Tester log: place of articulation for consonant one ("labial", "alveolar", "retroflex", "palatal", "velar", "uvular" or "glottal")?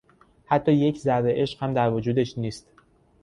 glottal